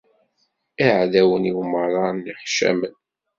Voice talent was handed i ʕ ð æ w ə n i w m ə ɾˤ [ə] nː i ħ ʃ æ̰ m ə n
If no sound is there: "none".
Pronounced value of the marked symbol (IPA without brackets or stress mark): ɑ